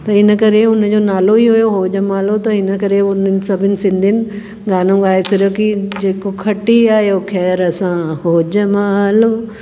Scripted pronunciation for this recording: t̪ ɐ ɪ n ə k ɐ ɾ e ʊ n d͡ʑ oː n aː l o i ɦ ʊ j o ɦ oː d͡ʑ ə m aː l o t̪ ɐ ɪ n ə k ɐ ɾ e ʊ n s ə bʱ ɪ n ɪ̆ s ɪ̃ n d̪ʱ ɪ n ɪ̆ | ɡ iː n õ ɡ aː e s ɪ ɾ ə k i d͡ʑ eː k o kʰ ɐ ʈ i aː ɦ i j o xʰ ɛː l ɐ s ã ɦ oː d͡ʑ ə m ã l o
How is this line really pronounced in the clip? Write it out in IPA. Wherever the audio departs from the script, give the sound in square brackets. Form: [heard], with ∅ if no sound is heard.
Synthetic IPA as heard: t̪ ɐ ɪ n ə k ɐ ɾ e ʊ n d͡ʑ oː n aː l o i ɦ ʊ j o ɦ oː d͡ʑ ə m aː l o t̪ ɐ ɪ n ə k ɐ ɾ e ʊ n s [ɐ] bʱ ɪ n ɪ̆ s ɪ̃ n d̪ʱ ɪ n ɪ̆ | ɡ [aː] n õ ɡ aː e s ɪ ɾ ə k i d͡ʑ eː k o kʰ ɐ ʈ i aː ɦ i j o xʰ ɛː [ɾ] ɐ s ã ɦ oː d͡ʑ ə m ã l o